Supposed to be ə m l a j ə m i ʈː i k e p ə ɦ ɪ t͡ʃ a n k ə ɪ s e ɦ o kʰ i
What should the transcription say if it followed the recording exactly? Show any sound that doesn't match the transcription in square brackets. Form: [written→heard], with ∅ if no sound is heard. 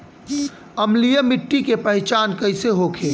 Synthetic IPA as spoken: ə m l [a→i] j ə m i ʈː i k e p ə ɦ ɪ t͡ʃ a n k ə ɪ s e ɦ o kʰ [i→e]